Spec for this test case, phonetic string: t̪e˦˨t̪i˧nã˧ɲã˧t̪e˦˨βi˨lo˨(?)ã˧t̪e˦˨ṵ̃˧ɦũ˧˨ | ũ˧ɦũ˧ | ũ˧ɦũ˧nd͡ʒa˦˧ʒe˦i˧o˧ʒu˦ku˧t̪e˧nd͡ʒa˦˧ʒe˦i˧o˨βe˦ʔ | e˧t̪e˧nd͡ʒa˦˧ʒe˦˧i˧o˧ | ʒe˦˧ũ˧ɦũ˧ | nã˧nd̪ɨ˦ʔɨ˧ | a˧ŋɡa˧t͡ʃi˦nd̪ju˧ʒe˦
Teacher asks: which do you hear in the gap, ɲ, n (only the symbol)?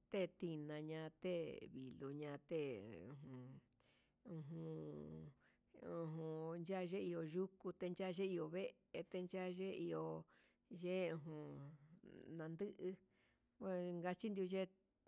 ɲ